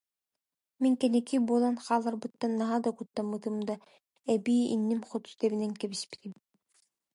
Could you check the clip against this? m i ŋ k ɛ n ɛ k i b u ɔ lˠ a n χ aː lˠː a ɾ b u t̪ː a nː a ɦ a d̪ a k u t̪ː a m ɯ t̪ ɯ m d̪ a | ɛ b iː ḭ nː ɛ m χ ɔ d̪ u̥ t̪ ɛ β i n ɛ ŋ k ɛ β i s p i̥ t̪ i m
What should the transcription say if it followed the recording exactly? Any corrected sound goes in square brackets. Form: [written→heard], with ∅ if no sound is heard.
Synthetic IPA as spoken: m i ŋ k ɛ n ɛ k i b u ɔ lˠ a n χ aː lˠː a ɾ b [u→ɯ] t̪ː a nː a ɦ a d̪ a k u t̪ː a m ɯ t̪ ɯ m d̪ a | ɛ b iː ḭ nː [ɛ→i] m χ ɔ [d̪→t̪] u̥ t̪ ɛ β i n ɛ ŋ k ɛ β i s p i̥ t̪ i m